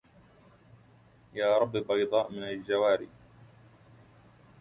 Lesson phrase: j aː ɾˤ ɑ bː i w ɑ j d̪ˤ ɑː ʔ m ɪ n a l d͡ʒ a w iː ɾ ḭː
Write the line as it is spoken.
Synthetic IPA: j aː ɾˤ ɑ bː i b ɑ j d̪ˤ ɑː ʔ m ɪ n a l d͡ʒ a w aː ɾ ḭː